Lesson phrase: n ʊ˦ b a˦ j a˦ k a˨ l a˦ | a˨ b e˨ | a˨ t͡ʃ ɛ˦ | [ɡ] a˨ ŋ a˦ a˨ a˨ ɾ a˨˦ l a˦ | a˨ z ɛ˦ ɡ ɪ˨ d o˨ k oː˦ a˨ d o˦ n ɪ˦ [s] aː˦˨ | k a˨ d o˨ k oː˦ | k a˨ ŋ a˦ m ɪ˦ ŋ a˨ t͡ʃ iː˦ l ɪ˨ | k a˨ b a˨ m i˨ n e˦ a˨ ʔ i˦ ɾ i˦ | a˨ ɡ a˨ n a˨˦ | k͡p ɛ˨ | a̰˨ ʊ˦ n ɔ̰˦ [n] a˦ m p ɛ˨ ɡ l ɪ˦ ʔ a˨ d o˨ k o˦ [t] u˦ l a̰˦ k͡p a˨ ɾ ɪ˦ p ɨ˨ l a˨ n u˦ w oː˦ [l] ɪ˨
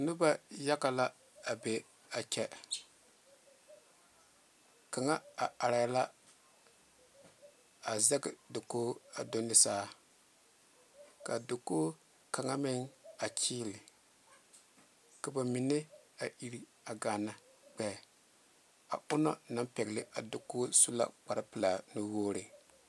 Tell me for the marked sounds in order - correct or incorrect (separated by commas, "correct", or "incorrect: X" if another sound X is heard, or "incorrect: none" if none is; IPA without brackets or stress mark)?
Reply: incorrect: k, correct, correct, incorrect: s, incorrect: ɾ